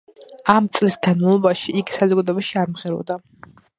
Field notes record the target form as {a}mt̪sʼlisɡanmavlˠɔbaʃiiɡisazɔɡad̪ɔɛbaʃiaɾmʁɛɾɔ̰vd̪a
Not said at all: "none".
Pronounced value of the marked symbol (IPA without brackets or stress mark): a